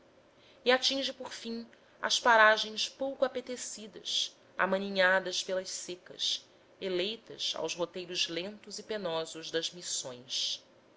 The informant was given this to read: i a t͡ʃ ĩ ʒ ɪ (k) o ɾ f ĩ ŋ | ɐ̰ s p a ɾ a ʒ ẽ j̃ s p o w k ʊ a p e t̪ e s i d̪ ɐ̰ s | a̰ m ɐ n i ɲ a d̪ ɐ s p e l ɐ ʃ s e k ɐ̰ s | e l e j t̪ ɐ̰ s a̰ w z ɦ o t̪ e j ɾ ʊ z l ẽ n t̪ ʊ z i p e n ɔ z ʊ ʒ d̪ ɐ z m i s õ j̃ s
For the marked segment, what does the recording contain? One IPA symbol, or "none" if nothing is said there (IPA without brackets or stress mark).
p